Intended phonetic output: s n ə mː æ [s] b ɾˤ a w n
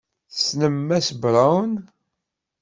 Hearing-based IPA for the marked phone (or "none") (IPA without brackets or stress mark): s